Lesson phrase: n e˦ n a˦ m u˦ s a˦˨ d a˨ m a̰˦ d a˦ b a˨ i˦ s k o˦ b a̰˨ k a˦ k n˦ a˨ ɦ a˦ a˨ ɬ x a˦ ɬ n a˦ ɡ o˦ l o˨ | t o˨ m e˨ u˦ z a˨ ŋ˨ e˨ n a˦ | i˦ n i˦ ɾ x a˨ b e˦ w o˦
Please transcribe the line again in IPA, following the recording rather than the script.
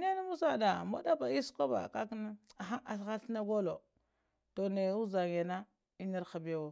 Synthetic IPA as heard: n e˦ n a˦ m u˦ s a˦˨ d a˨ m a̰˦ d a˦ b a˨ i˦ s k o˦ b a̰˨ k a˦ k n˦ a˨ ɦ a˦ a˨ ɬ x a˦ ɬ n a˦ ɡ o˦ l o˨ | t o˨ n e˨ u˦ z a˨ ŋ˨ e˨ n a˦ | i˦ n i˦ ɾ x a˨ b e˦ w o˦